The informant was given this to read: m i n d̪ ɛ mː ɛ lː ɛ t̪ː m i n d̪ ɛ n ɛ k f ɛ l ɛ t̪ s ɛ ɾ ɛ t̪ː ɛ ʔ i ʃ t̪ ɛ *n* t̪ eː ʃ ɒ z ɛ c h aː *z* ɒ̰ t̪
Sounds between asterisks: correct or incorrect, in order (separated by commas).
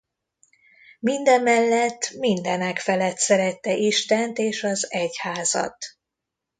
correct, correct